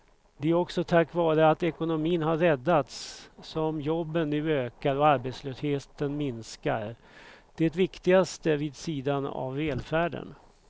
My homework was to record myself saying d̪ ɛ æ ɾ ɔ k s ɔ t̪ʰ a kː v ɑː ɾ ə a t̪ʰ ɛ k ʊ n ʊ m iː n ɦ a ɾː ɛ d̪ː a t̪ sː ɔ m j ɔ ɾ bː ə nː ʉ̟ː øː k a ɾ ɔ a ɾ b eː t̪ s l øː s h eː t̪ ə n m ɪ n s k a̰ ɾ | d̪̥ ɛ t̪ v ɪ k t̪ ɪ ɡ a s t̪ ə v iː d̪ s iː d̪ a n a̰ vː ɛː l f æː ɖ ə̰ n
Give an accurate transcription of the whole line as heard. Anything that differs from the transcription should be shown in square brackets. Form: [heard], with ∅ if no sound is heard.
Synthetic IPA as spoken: d̪ ɛ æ ɾ ɔ k s ɔ t̪ʰ a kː v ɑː ɾ ə a [t̪] ɛ k ʊ n ʊ m iː n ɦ a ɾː ɛ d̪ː a t̪ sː ɔ m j ɔ [∅] bː ə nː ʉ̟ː øː k a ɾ ɔ a ɾ b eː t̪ s l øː s h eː t̪ ə n m ɪ n s k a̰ ɾ | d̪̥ ɛ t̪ v ɪ k t̪ ɪ ɡ a s t̪ ə v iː d̪ s iː d̪ a n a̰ vː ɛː l f æː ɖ ə̰ n